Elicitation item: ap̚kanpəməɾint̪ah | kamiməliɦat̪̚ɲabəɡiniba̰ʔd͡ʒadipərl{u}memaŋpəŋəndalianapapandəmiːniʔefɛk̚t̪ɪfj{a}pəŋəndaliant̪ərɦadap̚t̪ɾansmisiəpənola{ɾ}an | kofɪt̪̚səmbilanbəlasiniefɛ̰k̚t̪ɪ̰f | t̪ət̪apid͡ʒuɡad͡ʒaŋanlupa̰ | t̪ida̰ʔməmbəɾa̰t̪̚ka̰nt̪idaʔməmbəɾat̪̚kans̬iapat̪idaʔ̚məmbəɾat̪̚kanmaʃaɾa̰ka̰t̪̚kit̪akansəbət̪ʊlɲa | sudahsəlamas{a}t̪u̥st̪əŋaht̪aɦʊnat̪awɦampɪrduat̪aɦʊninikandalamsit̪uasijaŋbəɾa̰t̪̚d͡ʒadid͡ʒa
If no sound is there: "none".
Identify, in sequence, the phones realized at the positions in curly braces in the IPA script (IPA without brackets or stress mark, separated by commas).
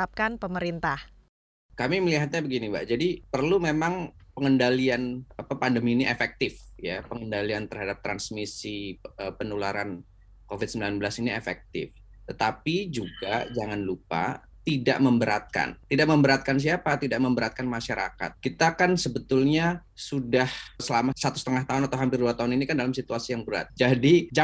u, a, ɾ, a